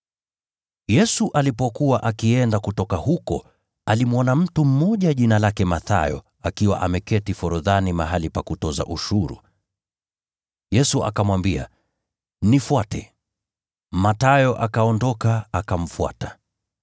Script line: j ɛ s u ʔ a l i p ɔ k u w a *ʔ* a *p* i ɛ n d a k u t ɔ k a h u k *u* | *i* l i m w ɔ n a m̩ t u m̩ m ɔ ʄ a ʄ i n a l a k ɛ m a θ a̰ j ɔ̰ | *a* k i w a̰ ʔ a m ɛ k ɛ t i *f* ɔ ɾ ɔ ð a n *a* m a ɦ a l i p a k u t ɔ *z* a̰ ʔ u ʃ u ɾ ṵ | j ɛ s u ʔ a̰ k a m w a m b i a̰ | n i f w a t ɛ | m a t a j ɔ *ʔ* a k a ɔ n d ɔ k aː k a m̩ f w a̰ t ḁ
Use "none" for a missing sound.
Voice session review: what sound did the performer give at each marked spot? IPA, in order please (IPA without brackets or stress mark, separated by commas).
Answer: ʔ, k, ɔ, a, a, f, i, z, ʔ